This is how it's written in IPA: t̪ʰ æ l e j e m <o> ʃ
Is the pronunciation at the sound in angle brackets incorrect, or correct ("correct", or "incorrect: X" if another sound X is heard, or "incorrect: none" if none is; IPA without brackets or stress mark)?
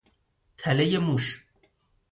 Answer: incorrect: u